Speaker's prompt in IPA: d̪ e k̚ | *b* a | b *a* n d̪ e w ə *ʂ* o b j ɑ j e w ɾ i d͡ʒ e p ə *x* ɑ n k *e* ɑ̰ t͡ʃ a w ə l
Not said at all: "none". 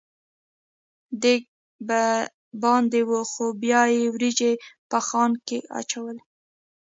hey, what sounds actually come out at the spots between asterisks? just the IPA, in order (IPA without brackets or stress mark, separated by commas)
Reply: b, ɑ, x, x, e